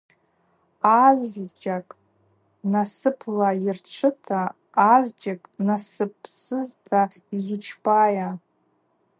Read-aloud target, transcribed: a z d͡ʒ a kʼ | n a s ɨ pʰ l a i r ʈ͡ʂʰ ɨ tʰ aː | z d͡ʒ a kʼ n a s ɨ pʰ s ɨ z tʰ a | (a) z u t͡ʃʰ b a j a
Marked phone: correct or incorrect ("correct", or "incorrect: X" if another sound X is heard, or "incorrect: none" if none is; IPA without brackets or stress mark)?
incorrect: i